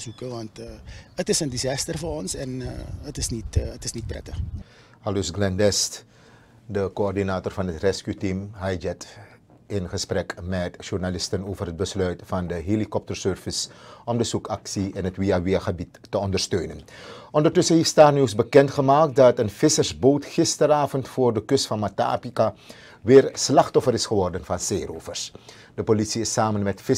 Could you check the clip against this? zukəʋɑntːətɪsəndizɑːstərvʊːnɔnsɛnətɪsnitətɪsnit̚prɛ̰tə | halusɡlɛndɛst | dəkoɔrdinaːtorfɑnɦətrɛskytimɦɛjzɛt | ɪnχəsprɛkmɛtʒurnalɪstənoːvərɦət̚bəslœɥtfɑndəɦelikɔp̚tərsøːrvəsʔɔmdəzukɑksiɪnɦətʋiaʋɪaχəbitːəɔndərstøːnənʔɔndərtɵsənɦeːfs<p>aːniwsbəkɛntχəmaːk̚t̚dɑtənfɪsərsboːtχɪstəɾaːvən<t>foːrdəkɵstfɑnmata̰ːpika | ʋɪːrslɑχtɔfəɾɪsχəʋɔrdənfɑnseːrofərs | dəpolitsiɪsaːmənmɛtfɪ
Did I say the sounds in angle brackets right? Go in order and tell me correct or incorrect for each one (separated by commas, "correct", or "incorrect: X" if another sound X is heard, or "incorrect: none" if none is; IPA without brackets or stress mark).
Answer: incorrect: t, correct